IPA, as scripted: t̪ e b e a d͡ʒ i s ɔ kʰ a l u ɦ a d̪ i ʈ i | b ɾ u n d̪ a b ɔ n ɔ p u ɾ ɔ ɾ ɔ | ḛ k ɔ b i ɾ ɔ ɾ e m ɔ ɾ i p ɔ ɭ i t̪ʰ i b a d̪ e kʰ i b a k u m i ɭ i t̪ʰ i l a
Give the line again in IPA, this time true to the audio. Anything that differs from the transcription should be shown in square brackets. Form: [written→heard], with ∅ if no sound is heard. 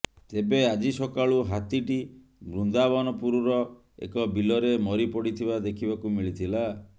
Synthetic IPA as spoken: t̪ e b e a d͡ʒ i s ɔ [kʰ→k] a [l→ɭ] u ɦ a [d̪→t̪] i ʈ i | b ɾ u n d̪ a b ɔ n ɔ p u ɾ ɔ ɾ ɔ | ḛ k ɔ b i [ɾ→l] ɔ ɾ e m ɔ ɾ i p ɔ [ɭ→ɽ] i t̪ʰ i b a d̪ e kʰ i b a k u m i ɭ i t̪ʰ i l a